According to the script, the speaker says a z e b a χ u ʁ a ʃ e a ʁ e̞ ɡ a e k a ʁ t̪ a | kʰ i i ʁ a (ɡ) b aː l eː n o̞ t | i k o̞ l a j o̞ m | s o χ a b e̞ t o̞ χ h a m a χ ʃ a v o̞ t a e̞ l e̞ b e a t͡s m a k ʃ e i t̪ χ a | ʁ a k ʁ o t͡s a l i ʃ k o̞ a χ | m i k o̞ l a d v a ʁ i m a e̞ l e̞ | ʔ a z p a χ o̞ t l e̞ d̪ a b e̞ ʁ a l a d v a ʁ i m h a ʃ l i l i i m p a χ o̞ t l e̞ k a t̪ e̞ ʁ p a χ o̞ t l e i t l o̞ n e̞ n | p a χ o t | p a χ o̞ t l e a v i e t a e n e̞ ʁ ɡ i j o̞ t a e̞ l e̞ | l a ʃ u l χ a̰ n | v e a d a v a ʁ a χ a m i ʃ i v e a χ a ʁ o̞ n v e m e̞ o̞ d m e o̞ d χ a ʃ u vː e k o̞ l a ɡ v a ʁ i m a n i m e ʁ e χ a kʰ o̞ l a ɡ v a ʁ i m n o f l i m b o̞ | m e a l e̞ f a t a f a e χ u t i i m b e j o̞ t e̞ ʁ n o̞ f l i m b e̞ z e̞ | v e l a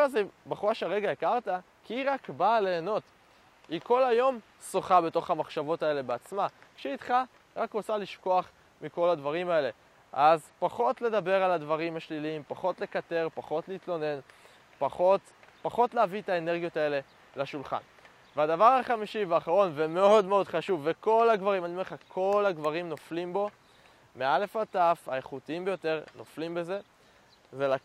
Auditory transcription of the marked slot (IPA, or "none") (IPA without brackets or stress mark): k